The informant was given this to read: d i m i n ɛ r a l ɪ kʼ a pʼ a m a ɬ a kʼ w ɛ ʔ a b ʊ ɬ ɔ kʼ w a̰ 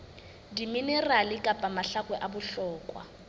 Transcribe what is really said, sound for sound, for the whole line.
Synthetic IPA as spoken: d i m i n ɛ r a l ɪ kʼ a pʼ a m a ɬ a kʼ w ɛ ʔ a b ʊ ɬ ɔː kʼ w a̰